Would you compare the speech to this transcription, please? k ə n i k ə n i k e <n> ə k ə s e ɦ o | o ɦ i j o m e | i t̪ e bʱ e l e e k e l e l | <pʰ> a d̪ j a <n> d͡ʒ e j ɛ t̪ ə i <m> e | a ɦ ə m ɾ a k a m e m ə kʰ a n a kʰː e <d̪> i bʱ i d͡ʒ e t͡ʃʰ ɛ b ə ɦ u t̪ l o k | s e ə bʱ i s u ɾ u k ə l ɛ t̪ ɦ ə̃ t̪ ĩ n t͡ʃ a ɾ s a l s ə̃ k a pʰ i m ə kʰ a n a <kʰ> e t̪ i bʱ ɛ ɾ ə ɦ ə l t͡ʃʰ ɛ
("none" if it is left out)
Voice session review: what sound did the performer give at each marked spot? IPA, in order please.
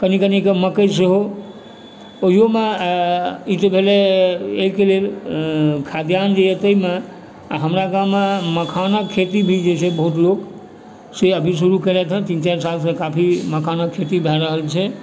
m, kʰ, n, m, t̪, kʰ

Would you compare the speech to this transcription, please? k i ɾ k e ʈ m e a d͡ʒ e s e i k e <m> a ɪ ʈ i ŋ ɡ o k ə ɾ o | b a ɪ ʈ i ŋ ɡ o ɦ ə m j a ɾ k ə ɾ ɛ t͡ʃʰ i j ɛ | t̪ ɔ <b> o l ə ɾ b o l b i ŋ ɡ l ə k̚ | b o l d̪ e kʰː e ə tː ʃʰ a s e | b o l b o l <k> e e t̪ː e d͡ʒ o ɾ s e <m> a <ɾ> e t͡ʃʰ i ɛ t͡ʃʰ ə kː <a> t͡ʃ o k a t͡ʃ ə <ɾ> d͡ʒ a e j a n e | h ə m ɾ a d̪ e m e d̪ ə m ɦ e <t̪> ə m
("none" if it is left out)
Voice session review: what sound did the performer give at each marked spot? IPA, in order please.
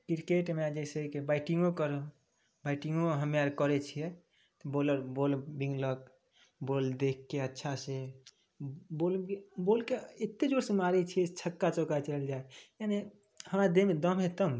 b, b, k, m, ɾ, a, l, t̪

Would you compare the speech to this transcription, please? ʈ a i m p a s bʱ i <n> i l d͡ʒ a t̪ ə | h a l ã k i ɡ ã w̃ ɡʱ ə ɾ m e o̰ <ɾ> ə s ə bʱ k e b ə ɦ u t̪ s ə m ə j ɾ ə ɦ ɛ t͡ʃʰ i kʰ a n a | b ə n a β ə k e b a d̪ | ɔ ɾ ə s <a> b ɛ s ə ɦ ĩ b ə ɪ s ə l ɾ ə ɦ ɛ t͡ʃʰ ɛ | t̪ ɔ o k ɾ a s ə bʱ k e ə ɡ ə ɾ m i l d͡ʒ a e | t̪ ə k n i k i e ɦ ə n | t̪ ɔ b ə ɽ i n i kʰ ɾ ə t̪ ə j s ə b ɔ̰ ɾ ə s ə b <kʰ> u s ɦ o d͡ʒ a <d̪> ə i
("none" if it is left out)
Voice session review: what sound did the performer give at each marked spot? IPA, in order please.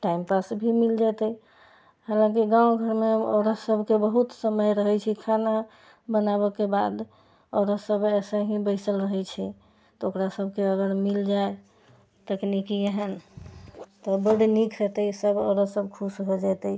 m, ɾ, ə, kʰ, t̪

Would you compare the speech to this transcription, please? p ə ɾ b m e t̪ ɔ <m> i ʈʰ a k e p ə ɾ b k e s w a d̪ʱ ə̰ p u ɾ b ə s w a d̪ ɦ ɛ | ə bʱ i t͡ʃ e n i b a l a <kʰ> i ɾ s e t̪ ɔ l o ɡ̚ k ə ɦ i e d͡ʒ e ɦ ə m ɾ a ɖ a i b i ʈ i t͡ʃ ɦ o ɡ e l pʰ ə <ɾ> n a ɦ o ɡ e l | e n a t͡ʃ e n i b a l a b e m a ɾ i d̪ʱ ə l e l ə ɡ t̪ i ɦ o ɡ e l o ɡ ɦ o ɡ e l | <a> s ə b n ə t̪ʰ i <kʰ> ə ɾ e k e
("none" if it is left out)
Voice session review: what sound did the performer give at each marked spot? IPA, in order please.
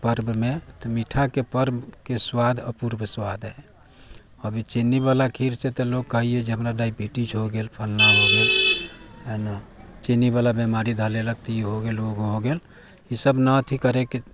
m, kʰ, l, i, k

